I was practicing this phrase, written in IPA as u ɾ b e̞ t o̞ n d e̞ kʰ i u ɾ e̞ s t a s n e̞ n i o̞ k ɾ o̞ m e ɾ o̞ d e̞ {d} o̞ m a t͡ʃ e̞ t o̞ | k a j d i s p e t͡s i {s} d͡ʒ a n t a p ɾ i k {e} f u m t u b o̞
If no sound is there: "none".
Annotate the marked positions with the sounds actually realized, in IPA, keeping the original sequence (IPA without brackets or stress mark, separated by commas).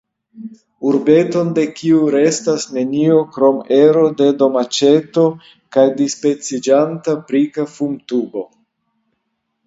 d, none, a